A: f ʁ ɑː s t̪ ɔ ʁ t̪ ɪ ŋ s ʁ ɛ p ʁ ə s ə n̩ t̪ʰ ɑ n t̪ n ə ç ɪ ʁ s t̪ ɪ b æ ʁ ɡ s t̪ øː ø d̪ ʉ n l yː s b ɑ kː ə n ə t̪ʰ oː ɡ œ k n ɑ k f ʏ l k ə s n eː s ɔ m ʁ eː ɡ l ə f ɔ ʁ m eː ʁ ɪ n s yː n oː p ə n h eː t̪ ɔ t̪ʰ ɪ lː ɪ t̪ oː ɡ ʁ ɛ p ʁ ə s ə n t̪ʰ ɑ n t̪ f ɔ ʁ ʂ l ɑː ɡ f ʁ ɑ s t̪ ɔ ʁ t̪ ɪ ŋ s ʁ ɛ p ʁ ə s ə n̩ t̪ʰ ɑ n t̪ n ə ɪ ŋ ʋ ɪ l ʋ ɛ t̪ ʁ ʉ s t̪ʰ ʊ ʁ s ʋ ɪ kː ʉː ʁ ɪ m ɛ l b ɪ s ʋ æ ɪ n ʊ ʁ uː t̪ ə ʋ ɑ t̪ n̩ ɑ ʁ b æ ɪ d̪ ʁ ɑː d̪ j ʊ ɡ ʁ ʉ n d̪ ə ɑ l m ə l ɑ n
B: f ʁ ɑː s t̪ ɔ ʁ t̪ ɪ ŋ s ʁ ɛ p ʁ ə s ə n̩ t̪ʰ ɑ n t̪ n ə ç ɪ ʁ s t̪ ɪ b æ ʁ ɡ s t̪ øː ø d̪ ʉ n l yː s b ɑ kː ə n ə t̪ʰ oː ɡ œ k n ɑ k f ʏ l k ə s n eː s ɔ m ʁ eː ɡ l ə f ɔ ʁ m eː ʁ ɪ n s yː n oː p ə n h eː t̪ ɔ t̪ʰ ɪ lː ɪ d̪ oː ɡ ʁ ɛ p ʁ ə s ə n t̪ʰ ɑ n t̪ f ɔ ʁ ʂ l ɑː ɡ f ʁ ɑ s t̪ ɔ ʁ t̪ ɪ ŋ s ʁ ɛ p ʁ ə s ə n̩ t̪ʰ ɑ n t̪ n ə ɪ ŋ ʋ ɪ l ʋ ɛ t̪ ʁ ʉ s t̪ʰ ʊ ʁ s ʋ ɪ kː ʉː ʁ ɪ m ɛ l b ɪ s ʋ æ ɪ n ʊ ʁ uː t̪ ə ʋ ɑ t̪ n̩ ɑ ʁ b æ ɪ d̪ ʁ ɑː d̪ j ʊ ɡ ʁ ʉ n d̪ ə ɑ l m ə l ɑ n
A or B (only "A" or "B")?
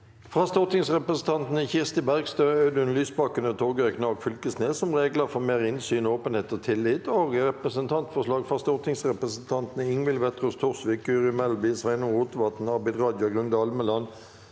A